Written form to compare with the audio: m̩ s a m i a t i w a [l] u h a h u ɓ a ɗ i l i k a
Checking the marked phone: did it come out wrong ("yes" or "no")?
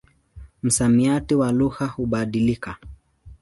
no